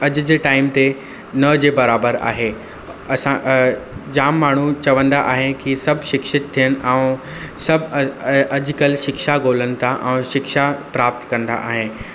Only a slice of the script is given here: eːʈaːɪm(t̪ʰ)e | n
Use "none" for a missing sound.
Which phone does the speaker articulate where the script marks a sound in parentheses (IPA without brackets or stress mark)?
t̪